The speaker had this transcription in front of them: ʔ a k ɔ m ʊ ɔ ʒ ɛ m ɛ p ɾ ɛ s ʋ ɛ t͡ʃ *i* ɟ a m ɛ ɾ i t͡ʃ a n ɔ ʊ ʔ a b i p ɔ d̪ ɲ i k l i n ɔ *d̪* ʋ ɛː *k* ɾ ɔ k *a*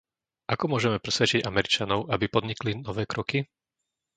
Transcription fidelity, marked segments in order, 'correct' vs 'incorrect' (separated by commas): correct, incorrect, correct, incorrect